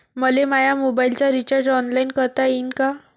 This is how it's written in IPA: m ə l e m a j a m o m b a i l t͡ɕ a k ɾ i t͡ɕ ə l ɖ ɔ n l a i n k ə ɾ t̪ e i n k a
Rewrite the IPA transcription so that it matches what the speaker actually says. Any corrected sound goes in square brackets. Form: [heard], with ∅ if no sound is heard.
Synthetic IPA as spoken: m ə l e m a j a m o [∅] b a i l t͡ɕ a [∅] ɾ i t͡ɕ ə [ɾ] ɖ ɔ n l a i n k ə ɾ t̪ [a] i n k a